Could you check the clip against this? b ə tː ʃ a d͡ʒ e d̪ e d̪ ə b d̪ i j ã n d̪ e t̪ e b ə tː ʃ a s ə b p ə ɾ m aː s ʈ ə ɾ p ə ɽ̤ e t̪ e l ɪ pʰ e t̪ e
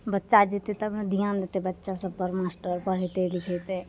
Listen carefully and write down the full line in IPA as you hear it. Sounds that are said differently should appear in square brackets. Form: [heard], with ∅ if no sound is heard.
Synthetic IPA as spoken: b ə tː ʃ a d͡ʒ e [t̪] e [t̪] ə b d̪ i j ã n d̪ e t̪ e b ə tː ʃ a s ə b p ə ɾ m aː s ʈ ə ɾ p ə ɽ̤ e t̪ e l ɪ [kʰ] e t̪ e